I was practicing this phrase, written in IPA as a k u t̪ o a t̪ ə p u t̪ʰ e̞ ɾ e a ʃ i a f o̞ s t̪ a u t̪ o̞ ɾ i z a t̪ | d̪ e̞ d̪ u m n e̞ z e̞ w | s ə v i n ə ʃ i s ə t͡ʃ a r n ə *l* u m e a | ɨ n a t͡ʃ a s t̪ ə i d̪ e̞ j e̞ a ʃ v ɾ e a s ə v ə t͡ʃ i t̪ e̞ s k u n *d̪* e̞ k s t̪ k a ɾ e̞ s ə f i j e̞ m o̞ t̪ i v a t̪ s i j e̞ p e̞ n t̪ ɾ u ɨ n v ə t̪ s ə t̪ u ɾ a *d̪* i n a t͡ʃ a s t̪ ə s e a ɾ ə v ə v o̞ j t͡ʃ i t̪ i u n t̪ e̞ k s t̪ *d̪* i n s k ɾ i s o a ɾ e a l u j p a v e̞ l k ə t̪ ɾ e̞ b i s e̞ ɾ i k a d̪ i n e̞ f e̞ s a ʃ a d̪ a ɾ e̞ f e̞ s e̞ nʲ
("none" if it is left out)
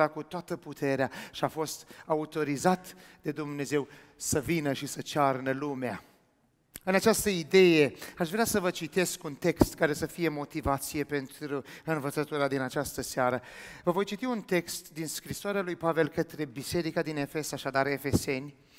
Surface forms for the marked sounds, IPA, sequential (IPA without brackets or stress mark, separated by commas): l, t̪, d̪, d̪